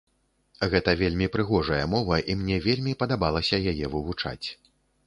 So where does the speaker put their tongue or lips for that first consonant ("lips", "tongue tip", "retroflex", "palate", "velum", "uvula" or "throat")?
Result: velum